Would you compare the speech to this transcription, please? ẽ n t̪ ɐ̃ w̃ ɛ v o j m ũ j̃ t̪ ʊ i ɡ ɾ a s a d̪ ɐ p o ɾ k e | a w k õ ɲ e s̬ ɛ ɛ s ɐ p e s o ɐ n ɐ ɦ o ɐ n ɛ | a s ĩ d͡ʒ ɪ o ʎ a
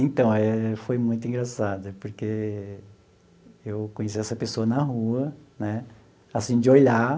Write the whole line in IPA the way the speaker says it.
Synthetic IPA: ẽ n t̪ ɐ̃ w̃ ɛ f o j m ũ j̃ t̪ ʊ ĩ ɡ ɾ a s a d̪ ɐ p o ɾ k e | e w k õ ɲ e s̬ i ɛ s ɐ p e s o ɐ n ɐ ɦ u ɐ n ɛ | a s ĩ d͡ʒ ɪ o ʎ a